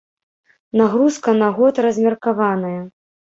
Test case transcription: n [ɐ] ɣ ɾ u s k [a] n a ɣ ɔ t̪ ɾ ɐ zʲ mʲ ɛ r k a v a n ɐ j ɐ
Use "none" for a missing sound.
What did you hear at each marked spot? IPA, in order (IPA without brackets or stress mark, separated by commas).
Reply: a, ɐ